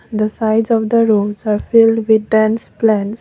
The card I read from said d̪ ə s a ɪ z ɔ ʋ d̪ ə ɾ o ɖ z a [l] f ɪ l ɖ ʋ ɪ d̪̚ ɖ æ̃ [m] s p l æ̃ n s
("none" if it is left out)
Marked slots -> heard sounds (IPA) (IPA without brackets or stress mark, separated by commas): ɾ, n